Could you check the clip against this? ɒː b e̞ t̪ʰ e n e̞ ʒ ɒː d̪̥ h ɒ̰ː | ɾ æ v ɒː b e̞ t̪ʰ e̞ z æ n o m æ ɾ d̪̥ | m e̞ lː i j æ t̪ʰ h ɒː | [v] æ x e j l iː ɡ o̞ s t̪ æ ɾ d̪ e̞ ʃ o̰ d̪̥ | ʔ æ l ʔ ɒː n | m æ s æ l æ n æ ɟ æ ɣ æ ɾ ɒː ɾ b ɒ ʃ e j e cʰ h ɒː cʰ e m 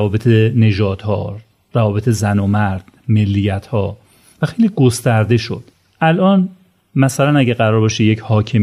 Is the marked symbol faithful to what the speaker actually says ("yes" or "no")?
yes